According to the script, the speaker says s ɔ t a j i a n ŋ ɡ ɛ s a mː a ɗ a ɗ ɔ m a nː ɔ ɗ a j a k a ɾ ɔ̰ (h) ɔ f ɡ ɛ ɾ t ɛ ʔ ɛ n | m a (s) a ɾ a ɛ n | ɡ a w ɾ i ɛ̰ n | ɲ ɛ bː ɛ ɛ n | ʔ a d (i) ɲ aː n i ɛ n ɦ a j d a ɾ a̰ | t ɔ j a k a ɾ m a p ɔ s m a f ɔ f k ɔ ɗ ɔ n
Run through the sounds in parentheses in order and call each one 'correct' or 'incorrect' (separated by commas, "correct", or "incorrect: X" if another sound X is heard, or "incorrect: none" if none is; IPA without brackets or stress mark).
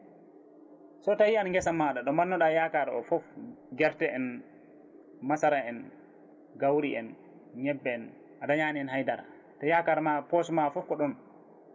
incorrect: f, correct, incorrect: a